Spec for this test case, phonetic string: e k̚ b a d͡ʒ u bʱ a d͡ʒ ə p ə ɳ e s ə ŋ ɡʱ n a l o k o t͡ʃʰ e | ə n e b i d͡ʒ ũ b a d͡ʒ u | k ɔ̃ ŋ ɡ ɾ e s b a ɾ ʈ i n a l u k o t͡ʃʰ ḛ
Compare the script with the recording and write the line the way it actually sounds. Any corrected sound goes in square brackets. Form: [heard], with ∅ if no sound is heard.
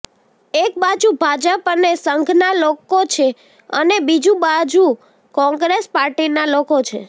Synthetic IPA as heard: e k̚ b a d͡ʒ u bʱ a d͡ʒ ə p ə [n] e s ə ŋ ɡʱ n a l o k o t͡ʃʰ e | ə n e b i d͡ʒ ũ b a d͡ʒ u | k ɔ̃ ŋ ɡ ɾ e s [p] a ɾ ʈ i n a l [o] k o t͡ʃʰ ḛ